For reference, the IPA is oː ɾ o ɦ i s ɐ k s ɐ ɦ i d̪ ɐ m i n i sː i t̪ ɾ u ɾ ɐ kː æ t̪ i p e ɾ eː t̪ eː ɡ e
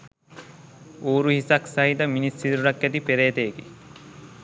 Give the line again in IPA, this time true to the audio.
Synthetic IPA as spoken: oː ɾ u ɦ i s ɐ k s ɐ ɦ i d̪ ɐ m i n i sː i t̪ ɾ u ɾ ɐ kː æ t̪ i p e ɾ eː t̪ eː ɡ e